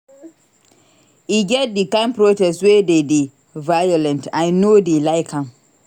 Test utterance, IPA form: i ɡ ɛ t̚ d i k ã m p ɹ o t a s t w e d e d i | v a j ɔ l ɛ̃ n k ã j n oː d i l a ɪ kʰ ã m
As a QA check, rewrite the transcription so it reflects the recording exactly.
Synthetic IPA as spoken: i ɡ ɛ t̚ d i k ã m p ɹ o t ɛ s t w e d e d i | v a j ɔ l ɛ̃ n t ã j n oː d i l a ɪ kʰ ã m

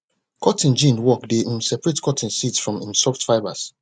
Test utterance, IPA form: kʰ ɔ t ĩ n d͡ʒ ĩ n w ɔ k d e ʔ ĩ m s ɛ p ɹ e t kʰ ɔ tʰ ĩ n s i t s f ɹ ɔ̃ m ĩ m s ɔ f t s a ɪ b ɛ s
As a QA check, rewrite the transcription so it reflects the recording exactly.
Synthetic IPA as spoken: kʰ ɔ t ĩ n d͡ʒ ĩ n w ɔ k d e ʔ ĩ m s ɛ p ɹ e t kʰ ɔ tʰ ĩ n s i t s f ɹ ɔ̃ m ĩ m s ɔ f t f a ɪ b a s

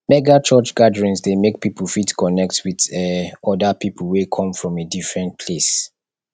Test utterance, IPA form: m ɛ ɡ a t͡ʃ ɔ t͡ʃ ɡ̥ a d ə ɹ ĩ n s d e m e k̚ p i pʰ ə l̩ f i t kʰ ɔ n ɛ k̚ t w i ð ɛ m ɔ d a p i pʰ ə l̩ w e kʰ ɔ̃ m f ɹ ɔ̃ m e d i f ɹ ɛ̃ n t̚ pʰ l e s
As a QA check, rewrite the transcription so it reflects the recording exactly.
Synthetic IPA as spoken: m ɛ ɡ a t͡ʃ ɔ t͡ʃ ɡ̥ a d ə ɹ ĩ n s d e m e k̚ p i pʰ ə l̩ f i t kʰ ɔ n ɛ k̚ t w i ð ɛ ɔ d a p i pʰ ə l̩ w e kʰ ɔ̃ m f ɹ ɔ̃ m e d i f ɹ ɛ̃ n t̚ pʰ l e s

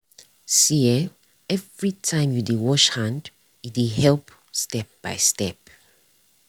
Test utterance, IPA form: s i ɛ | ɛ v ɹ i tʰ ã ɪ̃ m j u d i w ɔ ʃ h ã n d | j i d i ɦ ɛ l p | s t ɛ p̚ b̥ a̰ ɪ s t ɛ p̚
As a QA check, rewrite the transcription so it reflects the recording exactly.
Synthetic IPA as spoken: s i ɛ | ɛ v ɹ i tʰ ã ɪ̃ m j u d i w ɔ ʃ h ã n d | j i d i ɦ ɛ l p | s t ɛ p̚ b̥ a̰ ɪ s t ɛ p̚

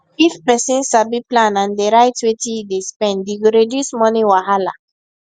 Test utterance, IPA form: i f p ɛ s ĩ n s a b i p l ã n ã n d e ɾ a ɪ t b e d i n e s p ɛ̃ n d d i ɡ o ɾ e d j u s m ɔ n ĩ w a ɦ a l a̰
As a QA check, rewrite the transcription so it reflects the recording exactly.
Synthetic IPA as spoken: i f p ɛ s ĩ n s a b i p l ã n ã n d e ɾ a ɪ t w e t i d e s p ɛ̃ n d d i ɡ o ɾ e d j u s m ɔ n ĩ w a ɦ a l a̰

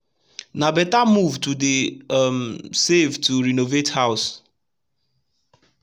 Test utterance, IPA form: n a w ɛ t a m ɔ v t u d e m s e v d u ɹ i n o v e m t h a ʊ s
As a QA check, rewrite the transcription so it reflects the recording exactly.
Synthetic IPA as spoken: n a b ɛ t a m u v t u d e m s e v t u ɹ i n o v e t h a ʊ s

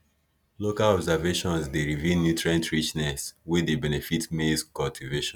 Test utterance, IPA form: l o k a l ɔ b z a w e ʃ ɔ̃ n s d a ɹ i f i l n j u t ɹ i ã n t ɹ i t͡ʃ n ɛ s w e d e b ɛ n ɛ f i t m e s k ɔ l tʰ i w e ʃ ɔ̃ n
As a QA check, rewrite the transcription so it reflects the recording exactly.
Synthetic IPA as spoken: l o k a l ɔ b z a v e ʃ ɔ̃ n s d e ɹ i v i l n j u t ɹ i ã n t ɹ i t͡ʃ n ɛ s w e d e b ɛ n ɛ f i t m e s k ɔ l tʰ i v e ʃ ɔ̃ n

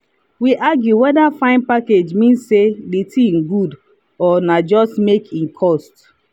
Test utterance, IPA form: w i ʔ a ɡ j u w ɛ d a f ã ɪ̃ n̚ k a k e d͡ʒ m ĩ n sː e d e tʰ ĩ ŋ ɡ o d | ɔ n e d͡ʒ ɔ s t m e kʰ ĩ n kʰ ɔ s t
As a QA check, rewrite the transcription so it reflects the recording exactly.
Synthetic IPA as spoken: w i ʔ a ɡ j u w ɛ d a f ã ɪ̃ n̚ p a k e d͡ʒ m ĩ n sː e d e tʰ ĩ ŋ ɡ u d | ɔ n a d͡ʒ ɔ s t m e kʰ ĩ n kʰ ɔ s t

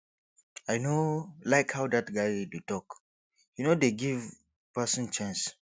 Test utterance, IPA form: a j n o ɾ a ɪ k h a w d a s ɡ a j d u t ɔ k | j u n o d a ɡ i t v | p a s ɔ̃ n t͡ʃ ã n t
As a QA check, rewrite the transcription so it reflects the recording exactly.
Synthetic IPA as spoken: a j n o l a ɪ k h a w d a t ɡ a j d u t ɔ k | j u n o d e ɡ i v | p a s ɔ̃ n t͡ʃ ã n s

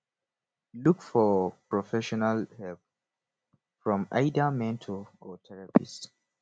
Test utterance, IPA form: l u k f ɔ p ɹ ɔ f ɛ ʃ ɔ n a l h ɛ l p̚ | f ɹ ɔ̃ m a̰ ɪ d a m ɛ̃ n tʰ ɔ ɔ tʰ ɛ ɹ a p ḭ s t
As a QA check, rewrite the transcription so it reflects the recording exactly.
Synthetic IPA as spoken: l u k f ɔ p ɹ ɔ f ɛ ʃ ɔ n a l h ɛ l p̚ | f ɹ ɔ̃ m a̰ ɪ d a m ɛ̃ n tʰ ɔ ɔ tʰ ɛ ɹ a p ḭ s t

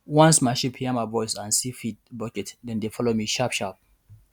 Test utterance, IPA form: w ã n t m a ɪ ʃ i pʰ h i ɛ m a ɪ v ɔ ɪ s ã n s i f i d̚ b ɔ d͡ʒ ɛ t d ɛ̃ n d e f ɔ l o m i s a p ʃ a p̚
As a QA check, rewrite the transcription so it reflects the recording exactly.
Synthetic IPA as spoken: w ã n s m a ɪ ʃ i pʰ h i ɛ m a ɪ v ɔ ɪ s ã n s i f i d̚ b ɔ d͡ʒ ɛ t d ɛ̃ n d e f ɔ l o m i ʃ a p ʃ a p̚

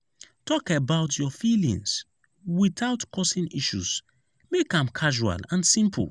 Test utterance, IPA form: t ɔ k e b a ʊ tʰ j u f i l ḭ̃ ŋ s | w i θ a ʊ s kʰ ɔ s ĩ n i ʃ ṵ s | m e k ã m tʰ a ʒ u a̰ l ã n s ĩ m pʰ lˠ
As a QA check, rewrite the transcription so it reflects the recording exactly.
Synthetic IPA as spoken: t ɔ k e b a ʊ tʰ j ɔ f i l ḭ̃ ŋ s | w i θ a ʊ t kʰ ɔ s ĩ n i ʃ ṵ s | m e k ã m kʰ a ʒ u a̰ l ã n s ĩ m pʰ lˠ

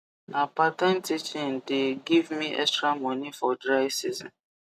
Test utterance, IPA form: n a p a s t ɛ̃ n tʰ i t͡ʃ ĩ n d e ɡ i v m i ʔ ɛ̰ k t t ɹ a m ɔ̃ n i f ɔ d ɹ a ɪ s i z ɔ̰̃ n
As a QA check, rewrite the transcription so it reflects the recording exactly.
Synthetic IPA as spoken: n a p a t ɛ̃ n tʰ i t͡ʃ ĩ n d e ɡ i v m i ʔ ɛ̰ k s t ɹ a m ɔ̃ n i f ɔ d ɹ a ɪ s i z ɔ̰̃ n

